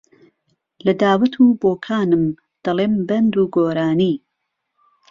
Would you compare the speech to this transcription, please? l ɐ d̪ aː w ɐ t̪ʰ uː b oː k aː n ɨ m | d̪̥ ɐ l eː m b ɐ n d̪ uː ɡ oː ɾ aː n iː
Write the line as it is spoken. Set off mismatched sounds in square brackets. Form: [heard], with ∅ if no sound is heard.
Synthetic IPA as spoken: l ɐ d̪ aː w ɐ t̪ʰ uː b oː [kʰ] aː n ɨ m | d̪̥ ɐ l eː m b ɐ n d̪ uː ɡ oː ɾ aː n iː